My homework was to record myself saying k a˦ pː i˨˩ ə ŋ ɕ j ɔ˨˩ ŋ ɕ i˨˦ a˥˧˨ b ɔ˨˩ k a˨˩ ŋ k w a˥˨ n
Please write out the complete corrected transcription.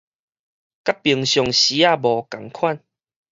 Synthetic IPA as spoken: k a˦ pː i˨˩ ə ŋ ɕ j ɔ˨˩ ŋ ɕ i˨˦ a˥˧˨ b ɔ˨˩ k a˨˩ ŋ kʰ w a˥˨ n